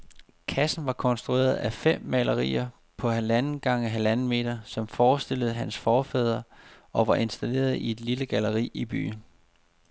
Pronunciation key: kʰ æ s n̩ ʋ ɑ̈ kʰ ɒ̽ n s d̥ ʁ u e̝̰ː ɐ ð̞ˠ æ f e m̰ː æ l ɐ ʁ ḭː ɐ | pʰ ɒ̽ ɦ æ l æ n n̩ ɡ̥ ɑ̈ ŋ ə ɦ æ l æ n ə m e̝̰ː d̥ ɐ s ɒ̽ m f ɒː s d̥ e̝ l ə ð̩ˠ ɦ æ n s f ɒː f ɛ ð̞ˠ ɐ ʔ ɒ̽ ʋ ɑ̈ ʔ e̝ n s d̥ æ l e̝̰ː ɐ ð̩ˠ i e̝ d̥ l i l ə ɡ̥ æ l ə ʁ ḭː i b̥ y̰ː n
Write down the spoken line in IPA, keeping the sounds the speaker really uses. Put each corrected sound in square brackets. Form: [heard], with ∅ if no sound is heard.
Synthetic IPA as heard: kʰ æ s n̩ ʋ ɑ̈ kʰ ɒ̽ n s d̥ ʁ u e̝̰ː ɐ ð̞ˠ æ f e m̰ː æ l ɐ ʁ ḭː ɐ | pʰ ɒ̽ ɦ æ l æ n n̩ ɡ̥ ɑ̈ ŋ ə ɦ æ l æ n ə m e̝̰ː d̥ ɐ s ɒ̽ m f ɒː s d̥ e̝ l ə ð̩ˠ ɦ æ n s f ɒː f ɛ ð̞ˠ ɐ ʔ ɒ̽ ʋ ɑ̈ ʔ e̝ n s d̥ æ l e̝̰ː ɐ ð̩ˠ i e̝ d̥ l i l ə ɡ̥ æ l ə ʁ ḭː i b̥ y̰ː n